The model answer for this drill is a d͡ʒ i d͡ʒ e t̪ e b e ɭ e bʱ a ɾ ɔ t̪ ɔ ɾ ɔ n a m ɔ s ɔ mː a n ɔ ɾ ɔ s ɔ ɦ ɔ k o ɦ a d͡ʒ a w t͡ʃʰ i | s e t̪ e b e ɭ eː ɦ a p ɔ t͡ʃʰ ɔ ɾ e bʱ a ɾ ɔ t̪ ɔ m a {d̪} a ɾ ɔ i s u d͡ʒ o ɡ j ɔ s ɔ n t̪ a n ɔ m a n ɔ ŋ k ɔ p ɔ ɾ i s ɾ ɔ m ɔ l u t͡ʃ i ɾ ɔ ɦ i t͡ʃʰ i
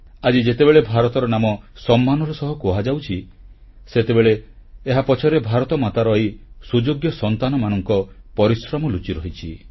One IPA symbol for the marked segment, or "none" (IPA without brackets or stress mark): t̪